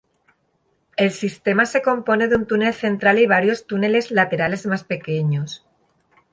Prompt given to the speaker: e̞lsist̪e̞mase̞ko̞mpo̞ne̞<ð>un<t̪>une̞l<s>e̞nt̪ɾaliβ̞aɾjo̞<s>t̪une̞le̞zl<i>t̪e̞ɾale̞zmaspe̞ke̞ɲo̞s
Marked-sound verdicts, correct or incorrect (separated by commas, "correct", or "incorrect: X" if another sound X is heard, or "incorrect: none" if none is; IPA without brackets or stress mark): correct, correct, incorrect: θ, correct, incorrect: a